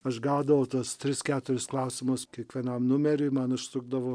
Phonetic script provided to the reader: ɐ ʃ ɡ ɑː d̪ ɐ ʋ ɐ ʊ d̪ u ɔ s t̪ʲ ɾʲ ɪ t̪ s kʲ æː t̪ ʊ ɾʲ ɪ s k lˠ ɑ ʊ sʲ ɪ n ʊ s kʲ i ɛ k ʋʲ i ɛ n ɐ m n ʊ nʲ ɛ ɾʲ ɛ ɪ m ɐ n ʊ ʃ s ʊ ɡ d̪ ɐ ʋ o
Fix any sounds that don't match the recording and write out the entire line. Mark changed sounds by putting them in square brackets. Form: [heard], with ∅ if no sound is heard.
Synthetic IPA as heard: ɐ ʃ ɡ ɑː d̪ ɐ ʋ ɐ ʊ [t̪] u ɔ s t̪ʲ ɾʲ ɪ [∅] s kʲ æː t̪ ʊ ɾʲ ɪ s k lˠ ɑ ʊ sʲ ɪ [m] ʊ s kʲ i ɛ k ʋʲ i ɛ n ɐ m n ʊ [mʲ] ɛ ɾʲ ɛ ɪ m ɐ n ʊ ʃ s ʊ ɡ d̪ ɐ ʋ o

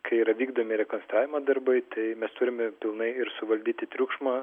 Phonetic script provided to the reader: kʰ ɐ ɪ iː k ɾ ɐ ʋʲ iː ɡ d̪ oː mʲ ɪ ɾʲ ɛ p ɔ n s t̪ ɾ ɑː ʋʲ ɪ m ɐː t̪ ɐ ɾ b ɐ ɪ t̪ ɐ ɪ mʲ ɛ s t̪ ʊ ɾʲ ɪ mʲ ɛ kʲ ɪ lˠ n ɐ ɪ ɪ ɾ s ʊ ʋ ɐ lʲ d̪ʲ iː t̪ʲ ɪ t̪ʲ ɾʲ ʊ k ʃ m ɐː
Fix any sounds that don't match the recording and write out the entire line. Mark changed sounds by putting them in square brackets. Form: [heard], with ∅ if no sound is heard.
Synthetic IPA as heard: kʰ ɐ ɪ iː [∅] ɾ ɐ ʋʲ iː ɡ d̪ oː mʲ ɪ ɾʲ ɛ [k] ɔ n s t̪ ɾ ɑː ʋʲ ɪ m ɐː [d̪] ɐ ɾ b ɐ ɪ t̪ ɐ ɪ mʲ ɛ s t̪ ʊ ɾʲ ɪ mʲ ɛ [pʲ] ɪ lˠ n ɐ ɪ ɪ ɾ s ʊ ʋ ɐ lʲ d̪ʲ iː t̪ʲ ɪ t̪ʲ ɾʲ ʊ k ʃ m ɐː

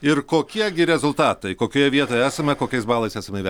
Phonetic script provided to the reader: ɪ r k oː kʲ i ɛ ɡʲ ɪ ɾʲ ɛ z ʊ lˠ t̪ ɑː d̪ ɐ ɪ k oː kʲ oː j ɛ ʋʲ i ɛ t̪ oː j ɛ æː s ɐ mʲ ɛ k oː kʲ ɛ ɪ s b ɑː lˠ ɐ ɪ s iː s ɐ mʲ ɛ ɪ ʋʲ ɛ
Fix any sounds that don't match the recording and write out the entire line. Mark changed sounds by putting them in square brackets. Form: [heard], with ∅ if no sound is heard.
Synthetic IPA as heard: ɪ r k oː kʲ i ɛ ɡʲ ɪ ɾʲ ɛ z ʊ lˠ t̪ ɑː [t̪] ɐ ɪ k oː kʲ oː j ɛ ʋʲ i ɛ t̪ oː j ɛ æː s ɐ mʲ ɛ k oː kʲ ɛ ɪ s b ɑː lˠ ɐ ɪ s [æː] s ɐ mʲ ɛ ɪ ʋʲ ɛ

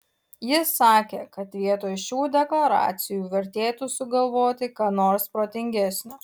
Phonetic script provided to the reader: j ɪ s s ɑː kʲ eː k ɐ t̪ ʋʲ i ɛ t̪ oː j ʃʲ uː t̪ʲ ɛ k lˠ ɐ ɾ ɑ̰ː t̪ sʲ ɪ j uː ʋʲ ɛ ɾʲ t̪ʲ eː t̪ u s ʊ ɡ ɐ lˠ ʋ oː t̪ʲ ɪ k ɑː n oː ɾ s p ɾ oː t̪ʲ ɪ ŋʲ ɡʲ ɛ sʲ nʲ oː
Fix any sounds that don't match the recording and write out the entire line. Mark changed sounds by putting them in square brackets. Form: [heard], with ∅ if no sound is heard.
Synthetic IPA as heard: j ɪ s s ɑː kʲ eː k ɐ t̪ ʋʲ i ɛ t̪ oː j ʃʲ uː [d̪ʲ] ɛ k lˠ ɐ ɾ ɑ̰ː t̪ sʲ ɪ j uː ʋʲ ɛ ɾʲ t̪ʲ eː t̪ u s ʊ ɡ ɐ lˠ ʋ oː t̪ʲ ɪ k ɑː n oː ɾ s p ɾ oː t̪ʲ ɪ ŋʲ ɡʲ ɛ sʲ nʲ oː

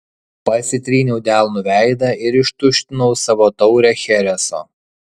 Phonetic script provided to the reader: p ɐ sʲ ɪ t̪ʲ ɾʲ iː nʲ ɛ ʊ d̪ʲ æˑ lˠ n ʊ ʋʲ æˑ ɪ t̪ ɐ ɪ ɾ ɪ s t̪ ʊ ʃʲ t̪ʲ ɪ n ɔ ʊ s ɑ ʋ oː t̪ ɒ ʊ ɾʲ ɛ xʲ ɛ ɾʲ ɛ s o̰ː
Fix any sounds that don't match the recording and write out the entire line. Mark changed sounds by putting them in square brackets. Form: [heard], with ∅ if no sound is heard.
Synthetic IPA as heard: p ɐ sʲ ɪ t̪ʲ ɾʲ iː nʲ ɛ ʊ d̪ʲ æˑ lˠ n ʊ ʋʲ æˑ ɪ [d̪] ɐ ɪ ɾ ɪ [ʃ] t̪ ʊ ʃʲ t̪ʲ ɪ n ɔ ʊ s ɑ ʋ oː t̪ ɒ ʊ ɾʲ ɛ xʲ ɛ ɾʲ ɛ s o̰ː

